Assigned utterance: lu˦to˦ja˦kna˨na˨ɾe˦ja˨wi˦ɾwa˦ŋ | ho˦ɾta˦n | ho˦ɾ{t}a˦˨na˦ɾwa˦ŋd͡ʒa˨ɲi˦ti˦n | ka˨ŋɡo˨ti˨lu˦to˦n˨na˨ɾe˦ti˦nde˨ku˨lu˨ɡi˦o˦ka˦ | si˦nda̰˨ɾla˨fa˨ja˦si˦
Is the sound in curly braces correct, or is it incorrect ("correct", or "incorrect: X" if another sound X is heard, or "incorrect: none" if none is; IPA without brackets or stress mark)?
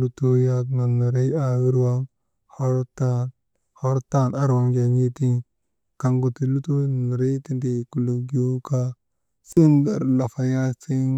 correct